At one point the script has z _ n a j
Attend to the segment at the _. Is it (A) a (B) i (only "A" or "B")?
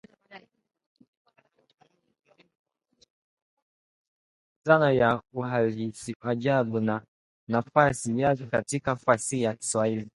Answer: A